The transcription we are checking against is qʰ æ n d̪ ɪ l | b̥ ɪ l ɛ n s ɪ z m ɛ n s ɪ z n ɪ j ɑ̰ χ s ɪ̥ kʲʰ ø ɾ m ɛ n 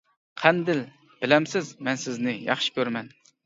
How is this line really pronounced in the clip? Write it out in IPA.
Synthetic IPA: qʰ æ n d̪ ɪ l | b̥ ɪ l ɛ m s ɪ z m ɛ n s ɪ z n ɪ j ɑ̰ χ ʃ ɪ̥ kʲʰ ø ɾ m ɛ n